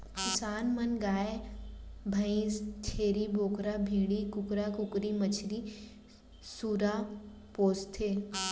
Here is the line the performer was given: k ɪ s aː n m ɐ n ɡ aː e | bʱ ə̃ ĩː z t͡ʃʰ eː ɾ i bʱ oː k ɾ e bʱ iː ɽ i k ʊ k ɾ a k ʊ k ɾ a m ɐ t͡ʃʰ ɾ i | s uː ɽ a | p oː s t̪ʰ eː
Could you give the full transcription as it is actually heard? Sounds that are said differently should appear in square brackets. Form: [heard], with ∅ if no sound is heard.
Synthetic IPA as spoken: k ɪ s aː n m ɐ n ɡ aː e | bʱ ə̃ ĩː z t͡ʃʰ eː ɾ i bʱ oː k ɾ [a] bʱ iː ɽ i k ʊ k ɾ a k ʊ k ɾ [i] m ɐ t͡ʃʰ ɾ i | s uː [ɾ] a | p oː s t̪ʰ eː